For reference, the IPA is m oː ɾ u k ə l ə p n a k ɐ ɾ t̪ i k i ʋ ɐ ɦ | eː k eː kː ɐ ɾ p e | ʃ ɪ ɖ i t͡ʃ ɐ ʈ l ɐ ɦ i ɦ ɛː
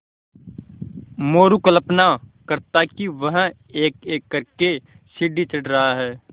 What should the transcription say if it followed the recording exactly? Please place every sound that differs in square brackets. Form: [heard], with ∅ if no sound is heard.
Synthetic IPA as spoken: m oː ɾ u k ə l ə p n a k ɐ ɾ t̪ [a] k i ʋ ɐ ɦ | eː k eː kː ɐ ɾ [k] e | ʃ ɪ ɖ i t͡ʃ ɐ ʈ [ɾ] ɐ ɦ [a] ɦ ɛː